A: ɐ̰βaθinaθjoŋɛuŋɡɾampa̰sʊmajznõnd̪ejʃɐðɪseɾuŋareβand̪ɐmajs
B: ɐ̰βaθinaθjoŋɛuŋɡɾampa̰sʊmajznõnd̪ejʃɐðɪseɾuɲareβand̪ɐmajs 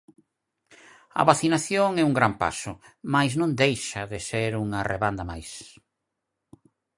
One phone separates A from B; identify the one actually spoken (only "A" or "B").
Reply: A